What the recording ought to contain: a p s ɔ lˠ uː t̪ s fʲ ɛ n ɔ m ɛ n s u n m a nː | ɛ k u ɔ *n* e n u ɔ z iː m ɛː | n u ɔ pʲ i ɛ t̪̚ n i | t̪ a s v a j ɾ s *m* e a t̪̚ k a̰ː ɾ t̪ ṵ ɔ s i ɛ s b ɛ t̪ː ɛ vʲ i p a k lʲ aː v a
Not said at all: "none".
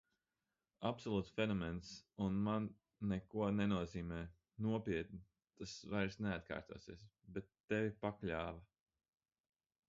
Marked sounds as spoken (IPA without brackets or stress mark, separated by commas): n, n